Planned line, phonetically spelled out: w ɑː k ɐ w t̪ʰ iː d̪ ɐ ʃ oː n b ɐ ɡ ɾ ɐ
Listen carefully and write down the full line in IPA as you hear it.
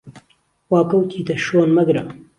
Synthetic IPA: w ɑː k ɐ w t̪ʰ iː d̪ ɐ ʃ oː n m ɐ ɡ ɾ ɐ

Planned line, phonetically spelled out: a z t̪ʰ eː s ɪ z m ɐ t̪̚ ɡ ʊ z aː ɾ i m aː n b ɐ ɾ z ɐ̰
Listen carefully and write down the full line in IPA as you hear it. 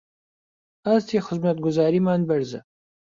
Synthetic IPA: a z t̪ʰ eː x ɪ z m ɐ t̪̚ ɡ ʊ z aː ɾ i m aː n b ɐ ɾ z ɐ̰

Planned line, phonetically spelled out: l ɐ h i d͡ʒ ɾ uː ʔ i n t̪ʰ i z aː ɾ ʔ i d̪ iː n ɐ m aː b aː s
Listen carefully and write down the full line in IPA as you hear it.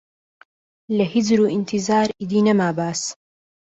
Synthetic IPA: l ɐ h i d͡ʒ ɾ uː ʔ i n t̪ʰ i z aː ɾ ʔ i d̪ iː n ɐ m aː b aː s

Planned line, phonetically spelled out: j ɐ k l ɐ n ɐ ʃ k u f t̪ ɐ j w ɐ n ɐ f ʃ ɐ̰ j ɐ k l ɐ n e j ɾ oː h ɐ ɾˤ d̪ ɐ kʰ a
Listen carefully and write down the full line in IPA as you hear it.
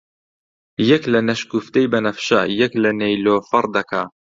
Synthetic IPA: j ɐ k l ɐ n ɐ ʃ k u f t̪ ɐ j b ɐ n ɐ f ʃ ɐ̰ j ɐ k l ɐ n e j l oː f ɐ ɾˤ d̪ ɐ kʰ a

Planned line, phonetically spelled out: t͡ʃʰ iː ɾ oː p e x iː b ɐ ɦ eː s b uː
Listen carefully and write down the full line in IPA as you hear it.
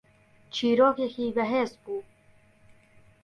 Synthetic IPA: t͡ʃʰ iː ɾ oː k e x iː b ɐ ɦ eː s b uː

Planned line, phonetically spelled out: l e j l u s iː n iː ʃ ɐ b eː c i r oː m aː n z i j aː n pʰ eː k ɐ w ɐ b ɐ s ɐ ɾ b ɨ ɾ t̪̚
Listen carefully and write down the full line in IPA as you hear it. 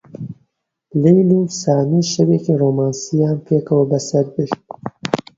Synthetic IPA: l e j l u s aː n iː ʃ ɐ w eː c i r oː m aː n s i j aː n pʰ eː k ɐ w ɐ b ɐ s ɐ ɾ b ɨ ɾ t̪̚

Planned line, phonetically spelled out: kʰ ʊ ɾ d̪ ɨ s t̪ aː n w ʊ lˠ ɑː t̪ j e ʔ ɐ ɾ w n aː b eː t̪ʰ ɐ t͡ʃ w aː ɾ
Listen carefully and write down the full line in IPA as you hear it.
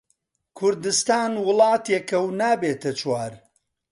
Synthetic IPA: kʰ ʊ ɾ d̪ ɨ s t̪ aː n w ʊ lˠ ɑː t̪ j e k ɐ w n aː b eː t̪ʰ ɐ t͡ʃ w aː ɾ

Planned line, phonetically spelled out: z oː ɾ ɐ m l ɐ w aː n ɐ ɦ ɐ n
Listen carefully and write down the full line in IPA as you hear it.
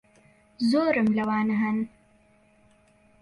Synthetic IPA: z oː ɾ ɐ m l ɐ w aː n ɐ ɦ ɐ n

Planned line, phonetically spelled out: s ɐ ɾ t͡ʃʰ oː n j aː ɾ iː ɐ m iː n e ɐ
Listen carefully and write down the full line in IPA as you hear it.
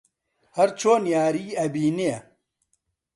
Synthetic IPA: h ɐ ɾ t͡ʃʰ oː n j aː ɾ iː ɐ b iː n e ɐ

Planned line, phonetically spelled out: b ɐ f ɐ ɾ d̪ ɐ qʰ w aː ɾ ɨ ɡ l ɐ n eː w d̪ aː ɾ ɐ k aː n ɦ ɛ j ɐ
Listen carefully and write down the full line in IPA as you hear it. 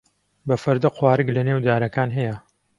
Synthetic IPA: b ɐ f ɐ ɾ d̪ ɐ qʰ w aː ɾ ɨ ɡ l ɐ n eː w d̪ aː ɾ ɐ k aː n ɦ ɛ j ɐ

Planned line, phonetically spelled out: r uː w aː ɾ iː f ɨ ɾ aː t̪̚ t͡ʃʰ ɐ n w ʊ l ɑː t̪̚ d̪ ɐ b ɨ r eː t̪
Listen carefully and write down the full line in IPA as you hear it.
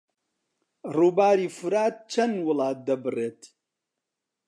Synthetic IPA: r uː b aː ɾ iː f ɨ ɾ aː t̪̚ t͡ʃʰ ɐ n w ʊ l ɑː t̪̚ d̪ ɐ b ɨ r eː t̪

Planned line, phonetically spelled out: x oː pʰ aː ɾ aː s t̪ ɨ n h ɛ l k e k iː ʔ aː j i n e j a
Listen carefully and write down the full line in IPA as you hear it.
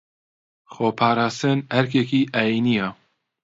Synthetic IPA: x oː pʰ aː ɾ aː s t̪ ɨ n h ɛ ɾ k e k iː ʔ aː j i n i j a

